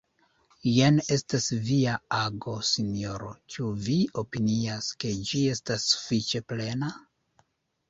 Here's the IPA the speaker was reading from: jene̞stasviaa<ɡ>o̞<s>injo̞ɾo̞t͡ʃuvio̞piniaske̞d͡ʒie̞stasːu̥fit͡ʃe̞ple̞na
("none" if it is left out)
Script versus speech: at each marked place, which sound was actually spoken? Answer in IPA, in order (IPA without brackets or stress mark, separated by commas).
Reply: ɡ, s